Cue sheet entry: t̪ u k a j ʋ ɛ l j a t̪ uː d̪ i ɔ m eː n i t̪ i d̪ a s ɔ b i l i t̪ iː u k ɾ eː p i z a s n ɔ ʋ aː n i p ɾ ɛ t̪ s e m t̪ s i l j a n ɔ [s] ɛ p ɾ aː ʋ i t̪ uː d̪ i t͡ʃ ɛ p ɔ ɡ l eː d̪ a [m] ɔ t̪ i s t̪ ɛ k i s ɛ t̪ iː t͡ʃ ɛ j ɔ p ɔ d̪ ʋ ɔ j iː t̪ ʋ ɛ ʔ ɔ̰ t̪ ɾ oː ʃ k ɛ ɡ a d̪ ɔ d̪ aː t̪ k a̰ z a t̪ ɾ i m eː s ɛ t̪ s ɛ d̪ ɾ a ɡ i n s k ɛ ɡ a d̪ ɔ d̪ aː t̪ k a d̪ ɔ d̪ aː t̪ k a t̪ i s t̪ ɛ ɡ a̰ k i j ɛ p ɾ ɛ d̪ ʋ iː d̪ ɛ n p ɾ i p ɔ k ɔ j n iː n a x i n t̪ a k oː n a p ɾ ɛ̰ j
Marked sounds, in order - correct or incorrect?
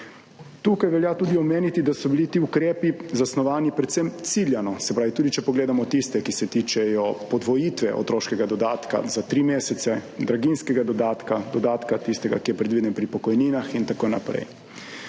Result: correct, correct

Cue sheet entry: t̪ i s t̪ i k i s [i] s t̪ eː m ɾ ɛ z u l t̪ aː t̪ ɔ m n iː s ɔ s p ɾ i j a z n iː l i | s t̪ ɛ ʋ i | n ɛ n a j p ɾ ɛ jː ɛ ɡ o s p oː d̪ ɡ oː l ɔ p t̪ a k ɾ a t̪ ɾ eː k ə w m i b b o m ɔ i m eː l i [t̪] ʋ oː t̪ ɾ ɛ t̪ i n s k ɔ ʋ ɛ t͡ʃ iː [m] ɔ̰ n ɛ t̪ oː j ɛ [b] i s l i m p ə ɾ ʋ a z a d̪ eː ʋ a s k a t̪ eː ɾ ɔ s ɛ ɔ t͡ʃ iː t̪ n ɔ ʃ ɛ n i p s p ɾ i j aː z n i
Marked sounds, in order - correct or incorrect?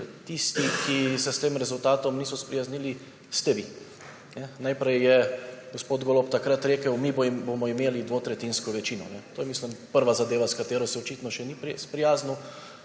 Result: incorrect: ɛ, incorrect: d̪, incorrect: n, incorrect: m

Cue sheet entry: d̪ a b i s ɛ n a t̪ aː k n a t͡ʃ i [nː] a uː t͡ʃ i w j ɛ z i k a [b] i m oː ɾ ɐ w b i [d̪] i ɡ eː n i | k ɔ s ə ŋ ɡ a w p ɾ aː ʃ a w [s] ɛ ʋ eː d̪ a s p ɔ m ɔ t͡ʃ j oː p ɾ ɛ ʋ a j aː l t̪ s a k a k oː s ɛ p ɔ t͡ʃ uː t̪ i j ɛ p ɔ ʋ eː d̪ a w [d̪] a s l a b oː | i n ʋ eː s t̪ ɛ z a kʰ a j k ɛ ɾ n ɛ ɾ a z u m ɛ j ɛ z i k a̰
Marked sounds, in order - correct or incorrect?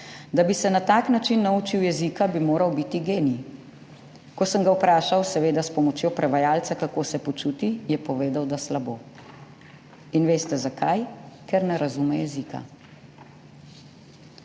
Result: correct, correct, incorrect: t̪, correct, correct

